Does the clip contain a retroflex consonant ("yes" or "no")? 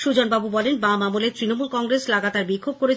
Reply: no